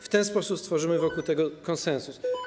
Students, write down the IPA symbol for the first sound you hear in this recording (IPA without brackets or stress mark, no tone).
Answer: f